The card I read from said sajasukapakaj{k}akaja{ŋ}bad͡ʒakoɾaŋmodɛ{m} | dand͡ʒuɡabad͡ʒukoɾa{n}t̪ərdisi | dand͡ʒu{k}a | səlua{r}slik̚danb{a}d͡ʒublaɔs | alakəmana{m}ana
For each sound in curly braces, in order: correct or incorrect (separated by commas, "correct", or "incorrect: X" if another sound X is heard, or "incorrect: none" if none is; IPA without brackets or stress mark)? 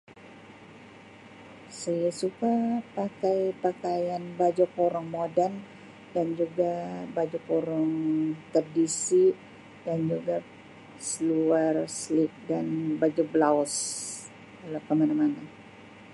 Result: incorrect: p, incorrect: n, incorrect: n, incorrect: ŋ, incorrect: ɡ, correct, correct, correct